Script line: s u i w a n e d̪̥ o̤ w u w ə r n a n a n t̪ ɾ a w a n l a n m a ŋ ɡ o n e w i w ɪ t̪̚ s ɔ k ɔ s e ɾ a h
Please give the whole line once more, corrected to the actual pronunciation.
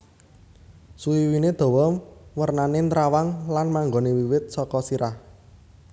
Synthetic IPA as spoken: s u i w i n e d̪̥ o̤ w ɔ w ə r n a n e n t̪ ɾ a w a ŋ l a n m a ŋ ɡ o n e w i w ɪ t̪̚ s ɔ k ɔ s i ɾ a h